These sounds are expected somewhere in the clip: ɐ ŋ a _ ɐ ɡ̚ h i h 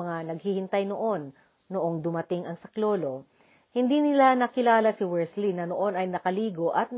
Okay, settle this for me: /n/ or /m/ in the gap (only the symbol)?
n